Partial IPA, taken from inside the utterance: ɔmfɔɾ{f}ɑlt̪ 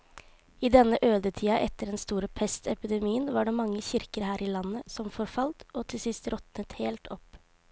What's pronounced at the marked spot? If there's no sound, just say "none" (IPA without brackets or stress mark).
f